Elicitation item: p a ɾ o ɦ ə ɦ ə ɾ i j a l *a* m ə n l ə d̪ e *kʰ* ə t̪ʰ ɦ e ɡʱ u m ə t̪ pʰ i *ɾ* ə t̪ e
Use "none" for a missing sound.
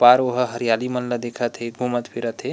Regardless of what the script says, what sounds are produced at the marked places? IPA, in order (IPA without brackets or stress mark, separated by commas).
i, kʰ, ɾ